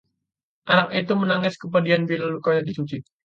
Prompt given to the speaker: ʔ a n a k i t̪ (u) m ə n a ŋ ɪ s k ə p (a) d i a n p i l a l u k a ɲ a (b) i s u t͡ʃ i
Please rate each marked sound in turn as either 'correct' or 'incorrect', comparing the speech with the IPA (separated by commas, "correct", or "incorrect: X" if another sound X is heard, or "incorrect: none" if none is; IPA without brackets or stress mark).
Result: correct, correct, incorrect: d